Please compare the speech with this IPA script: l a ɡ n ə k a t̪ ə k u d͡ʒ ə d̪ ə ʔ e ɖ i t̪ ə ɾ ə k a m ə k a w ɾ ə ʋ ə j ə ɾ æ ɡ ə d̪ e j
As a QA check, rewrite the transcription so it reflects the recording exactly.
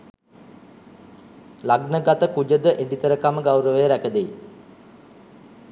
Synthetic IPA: l a ɡ n ə ɡ a t̪ ə k u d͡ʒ ə d̪ ə ʔ e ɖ i t̪ ə ɾ ə k a m ə ɡ a w ɾ ə ʋ ə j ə ɾ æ k ə d̪ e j